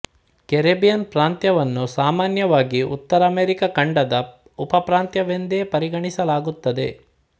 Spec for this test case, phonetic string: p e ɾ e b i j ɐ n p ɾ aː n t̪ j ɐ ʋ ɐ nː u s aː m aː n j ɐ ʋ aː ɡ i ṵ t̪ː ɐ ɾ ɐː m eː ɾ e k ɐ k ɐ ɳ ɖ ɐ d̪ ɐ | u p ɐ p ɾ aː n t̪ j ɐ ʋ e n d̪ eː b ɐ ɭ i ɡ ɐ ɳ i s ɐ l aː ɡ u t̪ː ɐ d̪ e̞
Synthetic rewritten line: k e ɾ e b i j ɐ n p ɾ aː n t̪ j ɐ ʋ ɐ nː u s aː m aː n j ɐ ʋ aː ɡ i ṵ t̪ː ɐ ɾ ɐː m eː ɾ i k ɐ k ɐ ɳ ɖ ɐ d̪ ɐ | u p ɐ p ɾ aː n t̪ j ɐ ʋ e n d̪ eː p ɐ ɾ i ɡ ɐ ɳ i s ɐ l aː ɡ u t̪ː ɐ d̪ e̞